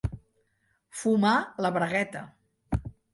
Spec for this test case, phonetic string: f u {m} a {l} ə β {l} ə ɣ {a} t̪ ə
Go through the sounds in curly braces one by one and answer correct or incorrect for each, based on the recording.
correct, correct, incorrect, incorrect

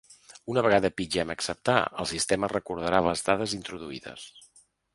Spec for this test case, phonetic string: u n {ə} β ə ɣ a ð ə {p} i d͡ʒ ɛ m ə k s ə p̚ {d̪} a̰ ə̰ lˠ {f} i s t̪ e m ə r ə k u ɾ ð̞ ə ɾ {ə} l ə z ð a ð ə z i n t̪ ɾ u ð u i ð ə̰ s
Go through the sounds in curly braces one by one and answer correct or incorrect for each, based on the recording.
correct, correct, incorrect, incorrect, incorrect

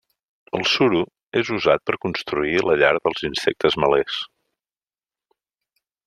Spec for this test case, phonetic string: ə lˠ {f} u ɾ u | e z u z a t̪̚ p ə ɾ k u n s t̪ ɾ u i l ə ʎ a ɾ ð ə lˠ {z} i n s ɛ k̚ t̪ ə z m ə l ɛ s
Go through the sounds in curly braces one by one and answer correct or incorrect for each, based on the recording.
incorrect, correct

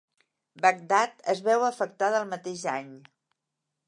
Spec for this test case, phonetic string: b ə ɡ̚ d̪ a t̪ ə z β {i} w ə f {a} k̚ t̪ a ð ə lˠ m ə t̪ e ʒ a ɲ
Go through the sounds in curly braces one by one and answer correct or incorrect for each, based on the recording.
incorrect, incorrect

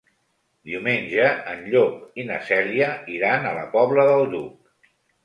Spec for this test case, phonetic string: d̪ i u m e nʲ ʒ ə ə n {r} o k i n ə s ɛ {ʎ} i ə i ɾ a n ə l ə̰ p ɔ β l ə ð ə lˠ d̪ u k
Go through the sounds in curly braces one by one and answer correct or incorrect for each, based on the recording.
incorrect, incorrect

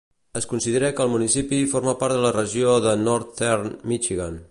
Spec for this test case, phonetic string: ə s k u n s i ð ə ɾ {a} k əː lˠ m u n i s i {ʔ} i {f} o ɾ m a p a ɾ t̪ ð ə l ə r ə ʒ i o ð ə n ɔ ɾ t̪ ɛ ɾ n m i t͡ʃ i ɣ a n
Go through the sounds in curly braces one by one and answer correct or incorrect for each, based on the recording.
incorrect, incorrect, correct

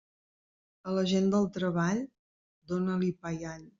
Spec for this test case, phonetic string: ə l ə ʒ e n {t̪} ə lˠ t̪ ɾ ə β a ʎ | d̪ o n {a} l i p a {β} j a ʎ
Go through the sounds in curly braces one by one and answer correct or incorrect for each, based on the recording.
incorrect, incorrect, incorrect

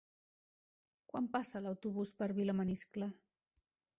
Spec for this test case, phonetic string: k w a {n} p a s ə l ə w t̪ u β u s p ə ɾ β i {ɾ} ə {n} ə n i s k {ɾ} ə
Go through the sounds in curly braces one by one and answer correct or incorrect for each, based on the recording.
incorrect, incorrect, incorrect, incorrect

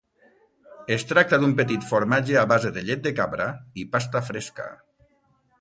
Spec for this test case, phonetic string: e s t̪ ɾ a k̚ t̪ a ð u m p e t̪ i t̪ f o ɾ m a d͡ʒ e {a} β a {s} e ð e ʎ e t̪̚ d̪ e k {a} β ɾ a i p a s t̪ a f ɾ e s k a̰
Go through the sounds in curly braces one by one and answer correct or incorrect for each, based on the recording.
correct, incorrect, correct

